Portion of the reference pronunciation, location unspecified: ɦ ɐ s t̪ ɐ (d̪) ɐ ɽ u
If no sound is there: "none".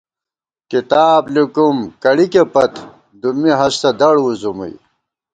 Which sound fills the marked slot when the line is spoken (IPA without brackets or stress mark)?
d̪